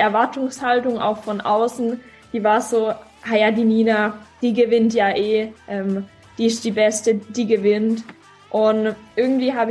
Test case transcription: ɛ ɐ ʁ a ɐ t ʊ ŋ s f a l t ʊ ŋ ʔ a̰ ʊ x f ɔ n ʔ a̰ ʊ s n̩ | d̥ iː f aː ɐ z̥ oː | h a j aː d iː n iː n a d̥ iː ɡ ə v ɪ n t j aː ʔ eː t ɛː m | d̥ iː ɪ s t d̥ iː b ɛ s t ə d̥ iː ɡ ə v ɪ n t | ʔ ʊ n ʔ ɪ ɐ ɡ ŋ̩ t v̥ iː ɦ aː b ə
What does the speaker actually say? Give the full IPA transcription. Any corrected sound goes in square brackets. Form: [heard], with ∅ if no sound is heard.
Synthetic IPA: ɛ ɐ [v] a ɐ t ʊ ŋ s [h] a l t ʊ ŋ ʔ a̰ ʊ x f ɔ n ʔ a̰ ʊ s n̩ | d̥ iː [v] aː ɐ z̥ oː | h a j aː d iː n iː n a d̥ iː ɡ ə v ɪ n t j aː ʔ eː [ʔ] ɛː m | d̥ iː ɪ s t d̥ iː b ɛ s t ə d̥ iː ɡ ə v ɪ n t | ʔ ʊ n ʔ ɪ ɐ ɡ ŋ̩ t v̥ iː ɦ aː b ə